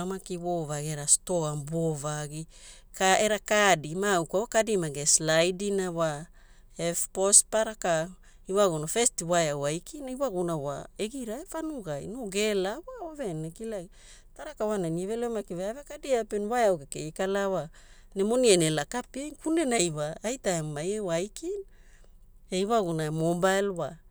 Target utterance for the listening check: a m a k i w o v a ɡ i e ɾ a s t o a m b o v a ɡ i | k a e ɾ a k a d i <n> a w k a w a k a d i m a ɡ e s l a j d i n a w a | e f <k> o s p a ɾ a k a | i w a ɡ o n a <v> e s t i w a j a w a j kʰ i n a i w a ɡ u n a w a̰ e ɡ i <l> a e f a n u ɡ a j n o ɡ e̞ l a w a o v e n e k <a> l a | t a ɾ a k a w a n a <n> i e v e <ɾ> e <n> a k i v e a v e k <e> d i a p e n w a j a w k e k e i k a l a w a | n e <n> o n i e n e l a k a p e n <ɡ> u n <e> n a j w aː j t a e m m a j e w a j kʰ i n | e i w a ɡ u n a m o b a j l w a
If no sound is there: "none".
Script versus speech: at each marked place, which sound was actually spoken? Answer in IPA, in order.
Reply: m, p, f, ɾ, i, n, l, m, a, m, k, e

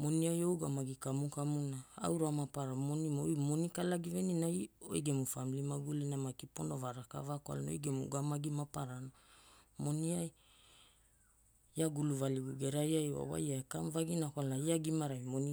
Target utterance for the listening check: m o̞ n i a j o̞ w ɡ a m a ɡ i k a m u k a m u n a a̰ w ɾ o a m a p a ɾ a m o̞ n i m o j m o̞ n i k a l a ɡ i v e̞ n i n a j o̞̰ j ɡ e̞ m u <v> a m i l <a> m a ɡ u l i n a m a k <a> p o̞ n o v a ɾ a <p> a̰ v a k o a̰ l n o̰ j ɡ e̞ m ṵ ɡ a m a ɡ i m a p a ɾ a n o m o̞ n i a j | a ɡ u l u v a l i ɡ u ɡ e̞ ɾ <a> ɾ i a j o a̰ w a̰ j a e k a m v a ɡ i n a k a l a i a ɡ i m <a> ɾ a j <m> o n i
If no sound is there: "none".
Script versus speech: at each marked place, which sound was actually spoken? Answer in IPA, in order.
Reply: f, i, i, k, a, a, m

